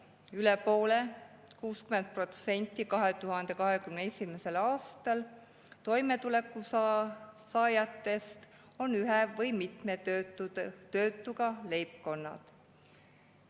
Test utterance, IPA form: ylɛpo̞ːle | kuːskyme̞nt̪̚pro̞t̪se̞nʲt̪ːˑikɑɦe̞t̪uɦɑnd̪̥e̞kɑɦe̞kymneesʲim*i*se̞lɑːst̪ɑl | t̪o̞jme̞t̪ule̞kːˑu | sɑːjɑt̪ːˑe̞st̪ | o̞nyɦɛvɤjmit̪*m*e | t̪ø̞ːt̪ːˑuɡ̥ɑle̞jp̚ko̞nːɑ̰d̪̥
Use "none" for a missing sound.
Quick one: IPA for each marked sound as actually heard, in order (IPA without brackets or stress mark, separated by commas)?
e, m